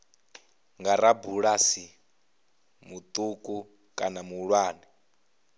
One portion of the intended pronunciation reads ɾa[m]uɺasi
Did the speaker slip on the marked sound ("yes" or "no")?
yes